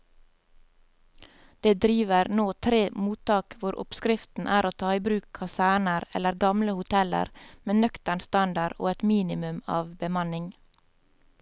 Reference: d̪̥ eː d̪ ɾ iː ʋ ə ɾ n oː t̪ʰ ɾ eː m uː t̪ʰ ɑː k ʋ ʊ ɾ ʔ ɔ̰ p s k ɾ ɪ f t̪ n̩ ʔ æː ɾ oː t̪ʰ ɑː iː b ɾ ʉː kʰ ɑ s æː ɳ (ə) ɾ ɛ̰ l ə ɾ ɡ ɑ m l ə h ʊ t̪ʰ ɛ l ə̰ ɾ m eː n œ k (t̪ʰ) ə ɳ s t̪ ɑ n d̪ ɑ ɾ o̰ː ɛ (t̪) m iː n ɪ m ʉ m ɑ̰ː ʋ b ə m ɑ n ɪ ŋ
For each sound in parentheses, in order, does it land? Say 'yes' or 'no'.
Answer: yes, no, yes

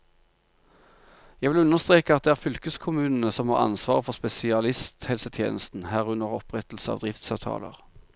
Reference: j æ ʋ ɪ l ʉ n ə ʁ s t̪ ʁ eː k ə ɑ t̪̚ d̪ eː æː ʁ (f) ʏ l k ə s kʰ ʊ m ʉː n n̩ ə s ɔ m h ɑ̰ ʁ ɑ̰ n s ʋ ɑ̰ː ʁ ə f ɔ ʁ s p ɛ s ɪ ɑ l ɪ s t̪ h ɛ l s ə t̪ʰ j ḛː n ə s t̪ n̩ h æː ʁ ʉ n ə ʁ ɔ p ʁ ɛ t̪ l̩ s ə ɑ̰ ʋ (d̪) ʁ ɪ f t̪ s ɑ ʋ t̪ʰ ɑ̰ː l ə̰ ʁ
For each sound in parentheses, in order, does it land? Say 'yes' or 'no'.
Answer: yes, yes

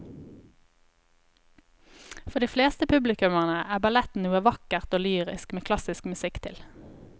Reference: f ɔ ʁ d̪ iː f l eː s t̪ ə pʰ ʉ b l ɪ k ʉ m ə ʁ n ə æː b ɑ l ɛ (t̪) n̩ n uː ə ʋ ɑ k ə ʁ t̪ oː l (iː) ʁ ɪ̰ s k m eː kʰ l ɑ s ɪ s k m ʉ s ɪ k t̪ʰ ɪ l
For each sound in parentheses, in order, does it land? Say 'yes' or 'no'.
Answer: yes, no

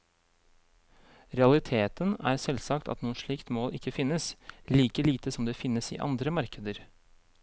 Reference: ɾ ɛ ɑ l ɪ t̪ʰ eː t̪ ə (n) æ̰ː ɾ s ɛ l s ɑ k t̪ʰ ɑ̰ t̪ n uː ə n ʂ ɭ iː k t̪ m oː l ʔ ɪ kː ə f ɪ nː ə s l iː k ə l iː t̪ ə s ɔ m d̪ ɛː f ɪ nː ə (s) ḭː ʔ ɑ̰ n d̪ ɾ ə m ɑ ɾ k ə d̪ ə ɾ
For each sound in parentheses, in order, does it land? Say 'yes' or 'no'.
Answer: yes, yes

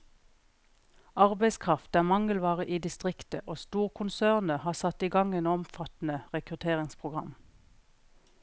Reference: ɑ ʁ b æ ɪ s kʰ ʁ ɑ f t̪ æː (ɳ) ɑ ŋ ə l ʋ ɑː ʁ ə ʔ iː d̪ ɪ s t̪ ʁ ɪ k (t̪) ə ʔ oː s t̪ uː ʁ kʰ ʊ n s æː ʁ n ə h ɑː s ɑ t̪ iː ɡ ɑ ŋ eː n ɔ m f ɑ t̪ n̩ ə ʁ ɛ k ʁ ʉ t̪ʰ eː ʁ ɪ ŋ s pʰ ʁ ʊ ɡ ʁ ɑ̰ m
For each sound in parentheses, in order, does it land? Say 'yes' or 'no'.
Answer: no, yes

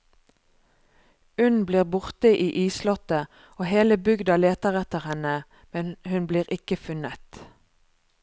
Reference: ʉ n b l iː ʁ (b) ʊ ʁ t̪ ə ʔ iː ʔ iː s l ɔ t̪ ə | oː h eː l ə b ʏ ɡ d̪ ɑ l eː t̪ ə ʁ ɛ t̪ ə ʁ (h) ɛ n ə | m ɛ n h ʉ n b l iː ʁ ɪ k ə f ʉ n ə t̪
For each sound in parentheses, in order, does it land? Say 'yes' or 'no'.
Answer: yes, yes

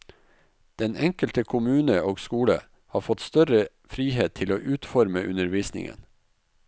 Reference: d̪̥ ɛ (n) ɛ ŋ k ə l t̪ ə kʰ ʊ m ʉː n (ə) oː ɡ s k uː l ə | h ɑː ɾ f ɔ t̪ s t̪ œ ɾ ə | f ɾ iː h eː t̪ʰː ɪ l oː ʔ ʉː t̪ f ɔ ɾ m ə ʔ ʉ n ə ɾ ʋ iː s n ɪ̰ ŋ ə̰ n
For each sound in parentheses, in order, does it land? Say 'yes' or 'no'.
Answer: yes, yes

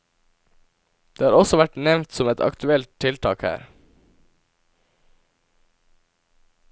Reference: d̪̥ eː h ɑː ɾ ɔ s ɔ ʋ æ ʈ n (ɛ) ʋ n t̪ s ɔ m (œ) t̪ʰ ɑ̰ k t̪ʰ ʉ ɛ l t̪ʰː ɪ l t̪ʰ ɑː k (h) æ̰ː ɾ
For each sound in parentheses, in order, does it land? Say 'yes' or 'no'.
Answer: yes, no, yes

